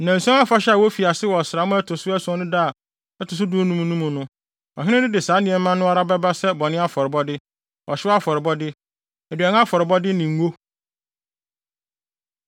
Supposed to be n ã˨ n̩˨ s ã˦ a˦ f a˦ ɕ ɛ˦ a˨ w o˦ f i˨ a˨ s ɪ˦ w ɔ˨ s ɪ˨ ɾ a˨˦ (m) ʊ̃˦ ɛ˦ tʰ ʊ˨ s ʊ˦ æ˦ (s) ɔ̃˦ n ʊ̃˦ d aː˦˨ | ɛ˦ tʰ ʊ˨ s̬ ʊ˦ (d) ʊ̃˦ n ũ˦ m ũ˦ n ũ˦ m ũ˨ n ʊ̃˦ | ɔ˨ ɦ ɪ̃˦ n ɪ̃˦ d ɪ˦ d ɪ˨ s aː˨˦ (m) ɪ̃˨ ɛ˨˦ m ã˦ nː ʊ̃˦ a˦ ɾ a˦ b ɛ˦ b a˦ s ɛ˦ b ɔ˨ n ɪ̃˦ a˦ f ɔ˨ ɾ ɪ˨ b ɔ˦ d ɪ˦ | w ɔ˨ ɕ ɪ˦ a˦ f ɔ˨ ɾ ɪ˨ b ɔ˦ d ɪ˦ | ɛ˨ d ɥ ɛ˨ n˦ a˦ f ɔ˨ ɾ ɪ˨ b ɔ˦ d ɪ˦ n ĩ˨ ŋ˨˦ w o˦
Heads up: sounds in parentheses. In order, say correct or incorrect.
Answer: correct, correct, correct, incorrect: n

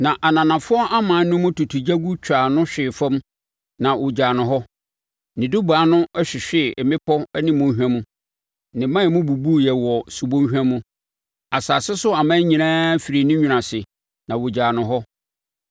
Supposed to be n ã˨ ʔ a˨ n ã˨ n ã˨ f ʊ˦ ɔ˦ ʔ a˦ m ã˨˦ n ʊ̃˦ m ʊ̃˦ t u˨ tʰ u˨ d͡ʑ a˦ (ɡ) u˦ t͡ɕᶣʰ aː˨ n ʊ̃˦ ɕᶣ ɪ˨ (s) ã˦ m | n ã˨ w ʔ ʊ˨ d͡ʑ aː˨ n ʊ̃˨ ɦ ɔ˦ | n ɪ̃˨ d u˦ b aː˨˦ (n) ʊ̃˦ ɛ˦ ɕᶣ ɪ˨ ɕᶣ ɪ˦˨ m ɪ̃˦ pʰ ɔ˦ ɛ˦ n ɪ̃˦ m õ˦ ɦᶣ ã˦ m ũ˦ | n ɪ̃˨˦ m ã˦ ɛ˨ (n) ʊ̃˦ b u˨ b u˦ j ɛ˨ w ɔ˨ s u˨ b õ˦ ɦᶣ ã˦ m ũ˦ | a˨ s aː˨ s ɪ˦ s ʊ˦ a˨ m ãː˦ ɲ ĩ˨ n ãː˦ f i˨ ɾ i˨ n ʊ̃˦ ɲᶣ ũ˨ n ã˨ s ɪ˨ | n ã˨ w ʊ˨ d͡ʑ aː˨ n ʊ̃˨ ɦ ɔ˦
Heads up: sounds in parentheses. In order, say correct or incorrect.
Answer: correct, incorrect: f, correct, incorrect: m

